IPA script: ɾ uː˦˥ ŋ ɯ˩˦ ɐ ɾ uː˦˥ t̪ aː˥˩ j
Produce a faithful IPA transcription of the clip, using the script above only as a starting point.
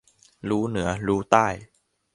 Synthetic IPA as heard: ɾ uː˦˥ n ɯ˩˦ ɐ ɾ uː˦˥ t̪ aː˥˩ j